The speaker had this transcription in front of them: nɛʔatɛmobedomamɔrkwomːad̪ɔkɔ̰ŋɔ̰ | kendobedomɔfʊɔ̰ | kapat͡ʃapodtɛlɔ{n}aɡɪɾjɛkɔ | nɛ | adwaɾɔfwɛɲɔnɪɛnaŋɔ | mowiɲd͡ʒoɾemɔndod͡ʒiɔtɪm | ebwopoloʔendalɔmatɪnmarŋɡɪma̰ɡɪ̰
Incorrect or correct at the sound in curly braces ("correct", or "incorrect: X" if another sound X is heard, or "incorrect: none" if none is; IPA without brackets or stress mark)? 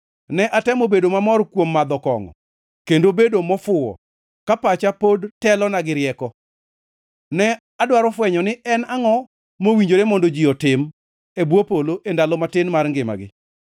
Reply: correct